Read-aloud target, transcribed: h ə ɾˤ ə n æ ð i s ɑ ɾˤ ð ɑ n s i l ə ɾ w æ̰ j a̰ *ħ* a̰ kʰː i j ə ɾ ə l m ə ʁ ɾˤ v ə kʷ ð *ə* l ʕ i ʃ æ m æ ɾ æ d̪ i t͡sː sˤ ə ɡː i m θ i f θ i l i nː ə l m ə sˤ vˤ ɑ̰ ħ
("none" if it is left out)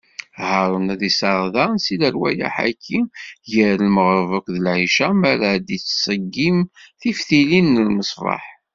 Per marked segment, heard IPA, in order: ħ, ə

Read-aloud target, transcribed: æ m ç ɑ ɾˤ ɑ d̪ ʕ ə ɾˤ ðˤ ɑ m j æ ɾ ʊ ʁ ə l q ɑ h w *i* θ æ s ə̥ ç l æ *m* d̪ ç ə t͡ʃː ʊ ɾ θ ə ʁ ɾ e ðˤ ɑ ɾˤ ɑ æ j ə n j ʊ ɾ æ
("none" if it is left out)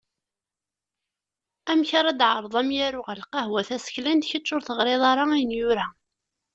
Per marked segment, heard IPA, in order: æ, n

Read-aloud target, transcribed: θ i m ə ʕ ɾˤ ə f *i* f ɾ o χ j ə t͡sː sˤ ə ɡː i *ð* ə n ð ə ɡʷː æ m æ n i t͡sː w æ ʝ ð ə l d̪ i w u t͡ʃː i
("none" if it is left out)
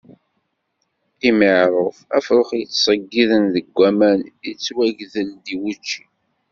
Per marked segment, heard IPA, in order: æ, ð

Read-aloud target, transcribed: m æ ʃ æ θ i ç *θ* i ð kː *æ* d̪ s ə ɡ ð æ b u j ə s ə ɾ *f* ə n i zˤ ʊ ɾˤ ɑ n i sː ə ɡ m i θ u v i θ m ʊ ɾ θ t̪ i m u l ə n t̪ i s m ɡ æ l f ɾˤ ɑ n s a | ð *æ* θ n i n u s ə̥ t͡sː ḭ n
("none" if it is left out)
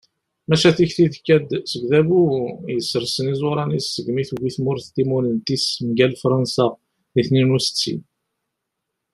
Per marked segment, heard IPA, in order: θ, æ, s, i

